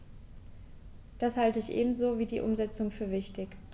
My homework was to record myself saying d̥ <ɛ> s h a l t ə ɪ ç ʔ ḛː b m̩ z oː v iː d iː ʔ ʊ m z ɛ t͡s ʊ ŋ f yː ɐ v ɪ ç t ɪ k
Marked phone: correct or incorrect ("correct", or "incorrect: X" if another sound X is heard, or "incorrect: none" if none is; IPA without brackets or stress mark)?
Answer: incorrect: a